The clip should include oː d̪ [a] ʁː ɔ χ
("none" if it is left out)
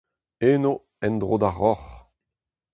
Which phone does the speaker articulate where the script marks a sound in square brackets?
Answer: a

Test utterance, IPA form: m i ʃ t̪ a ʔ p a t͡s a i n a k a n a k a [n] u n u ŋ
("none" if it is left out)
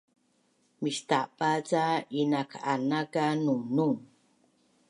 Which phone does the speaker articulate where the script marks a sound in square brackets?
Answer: n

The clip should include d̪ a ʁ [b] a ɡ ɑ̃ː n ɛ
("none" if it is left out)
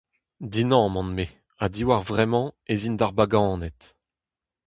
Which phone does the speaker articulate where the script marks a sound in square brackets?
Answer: b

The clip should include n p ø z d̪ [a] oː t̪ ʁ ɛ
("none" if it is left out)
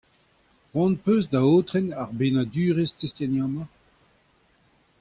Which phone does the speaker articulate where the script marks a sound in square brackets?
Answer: a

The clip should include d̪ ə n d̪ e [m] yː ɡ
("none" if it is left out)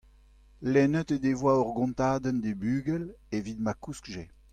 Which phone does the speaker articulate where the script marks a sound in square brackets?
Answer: b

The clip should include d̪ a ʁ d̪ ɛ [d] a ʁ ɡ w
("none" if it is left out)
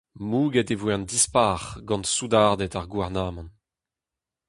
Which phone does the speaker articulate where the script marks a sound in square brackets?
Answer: t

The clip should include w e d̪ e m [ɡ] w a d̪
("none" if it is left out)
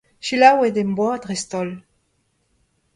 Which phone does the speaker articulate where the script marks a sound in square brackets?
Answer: b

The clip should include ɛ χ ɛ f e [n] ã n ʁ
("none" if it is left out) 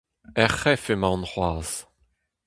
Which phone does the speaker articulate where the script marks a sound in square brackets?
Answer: m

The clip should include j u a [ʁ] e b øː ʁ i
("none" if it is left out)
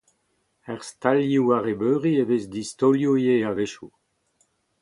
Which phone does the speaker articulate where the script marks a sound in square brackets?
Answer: ʁ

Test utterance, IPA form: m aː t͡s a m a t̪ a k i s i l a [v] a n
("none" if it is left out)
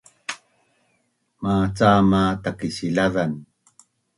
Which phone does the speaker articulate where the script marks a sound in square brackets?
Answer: ð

